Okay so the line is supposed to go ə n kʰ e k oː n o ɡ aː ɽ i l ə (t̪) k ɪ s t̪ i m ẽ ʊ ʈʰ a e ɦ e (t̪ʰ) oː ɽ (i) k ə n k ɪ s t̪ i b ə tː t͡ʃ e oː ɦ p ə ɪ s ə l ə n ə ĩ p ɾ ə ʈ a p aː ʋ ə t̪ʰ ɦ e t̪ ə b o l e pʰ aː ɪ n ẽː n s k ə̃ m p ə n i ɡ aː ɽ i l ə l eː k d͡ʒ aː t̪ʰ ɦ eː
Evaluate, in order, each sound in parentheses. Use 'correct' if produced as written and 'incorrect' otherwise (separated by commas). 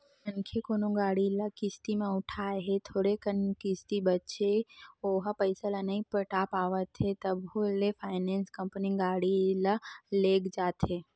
incorrect, correct, incorrect